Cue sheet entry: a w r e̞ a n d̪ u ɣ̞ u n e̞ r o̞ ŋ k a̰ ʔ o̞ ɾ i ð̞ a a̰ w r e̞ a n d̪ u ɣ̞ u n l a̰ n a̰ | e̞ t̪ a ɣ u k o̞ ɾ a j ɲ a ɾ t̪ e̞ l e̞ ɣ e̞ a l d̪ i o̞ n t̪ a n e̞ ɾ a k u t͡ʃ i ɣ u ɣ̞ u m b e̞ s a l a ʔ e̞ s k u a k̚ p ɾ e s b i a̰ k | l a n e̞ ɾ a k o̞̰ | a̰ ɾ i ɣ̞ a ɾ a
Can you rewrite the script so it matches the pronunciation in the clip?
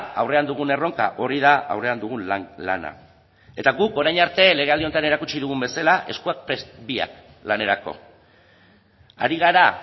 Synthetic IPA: a w r e̞ a n d̪ u ɣ̞ u n e̞ r o̞ ŋ k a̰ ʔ o̞ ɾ i ð̞ a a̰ w r e̞ a n d̪ u ɣ̞ u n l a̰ n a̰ | e̞ t̪ a ɣ u k o̞ ɾ a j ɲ a ɾ t̪ e̞ l e̞ ɣ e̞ a l d̪ i o̞ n t̪ a n e̞ ɾ a k u t͡ʃ i ð u ɣ̞ u m b e̞ s a l a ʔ e̞ s k u a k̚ p ɾ e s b i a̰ k | l a n e̞ ɾ a k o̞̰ | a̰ ɾ i ɣ̞ a ɾ a